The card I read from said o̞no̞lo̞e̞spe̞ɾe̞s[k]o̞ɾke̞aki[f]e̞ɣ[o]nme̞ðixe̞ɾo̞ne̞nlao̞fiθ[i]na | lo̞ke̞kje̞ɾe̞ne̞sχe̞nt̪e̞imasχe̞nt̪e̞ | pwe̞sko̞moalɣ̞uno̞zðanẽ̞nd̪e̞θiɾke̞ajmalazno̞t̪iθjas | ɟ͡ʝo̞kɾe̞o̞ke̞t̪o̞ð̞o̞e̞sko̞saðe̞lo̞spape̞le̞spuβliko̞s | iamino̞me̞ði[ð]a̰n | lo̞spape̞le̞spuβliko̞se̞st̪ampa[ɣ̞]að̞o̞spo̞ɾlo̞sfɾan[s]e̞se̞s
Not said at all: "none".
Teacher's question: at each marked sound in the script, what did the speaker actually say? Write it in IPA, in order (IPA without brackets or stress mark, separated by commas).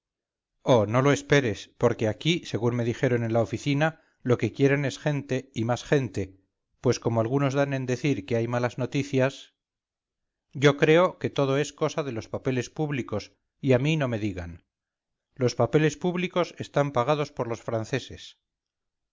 p, s, u, i, ɣ, ɣ̞, θ